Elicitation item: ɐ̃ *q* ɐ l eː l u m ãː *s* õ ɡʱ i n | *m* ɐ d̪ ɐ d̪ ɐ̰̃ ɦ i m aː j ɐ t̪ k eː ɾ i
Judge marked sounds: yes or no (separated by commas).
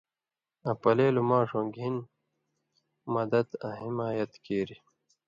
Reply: no, no, yes